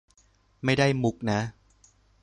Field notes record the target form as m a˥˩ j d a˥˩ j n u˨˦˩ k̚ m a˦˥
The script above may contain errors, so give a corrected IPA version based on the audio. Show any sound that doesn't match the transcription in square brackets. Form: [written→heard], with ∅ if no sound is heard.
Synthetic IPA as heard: m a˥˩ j d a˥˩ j [n→m] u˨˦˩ k̚ [m→n] a˦˥